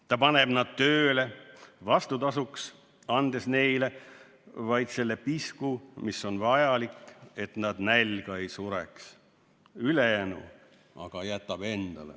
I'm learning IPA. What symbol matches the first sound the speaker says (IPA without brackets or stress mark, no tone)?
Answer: t̪